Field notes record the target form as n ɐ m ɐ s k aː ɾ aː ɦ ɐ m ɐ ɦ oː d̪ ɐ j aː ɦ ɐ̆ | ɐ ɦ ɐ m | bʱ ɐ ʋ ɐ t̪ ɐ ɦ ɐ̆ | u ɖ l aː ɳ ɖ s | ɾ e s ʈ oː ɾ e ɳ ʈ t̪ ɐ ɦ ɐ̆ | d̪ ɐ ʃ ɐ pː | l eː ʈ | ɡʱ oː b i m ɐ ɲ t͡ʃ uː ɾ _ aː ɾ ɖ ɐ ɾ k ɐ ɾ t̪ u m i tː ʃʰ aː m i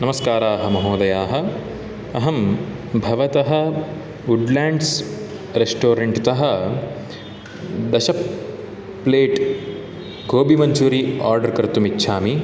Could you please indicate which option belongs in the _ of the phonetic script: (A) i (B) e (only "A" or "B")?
A